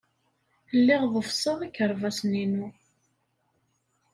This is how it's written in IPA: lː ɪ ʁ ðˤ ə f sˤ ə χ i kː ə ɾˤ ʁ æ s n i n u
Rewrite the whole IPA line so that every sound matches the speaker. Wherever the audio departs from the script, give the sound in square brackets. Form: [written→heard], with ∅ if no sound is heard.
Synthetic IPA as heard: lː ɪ ʁ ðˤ ə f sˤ ə [χ→ʁ] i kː ə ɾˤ [ʁ→v] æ s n i n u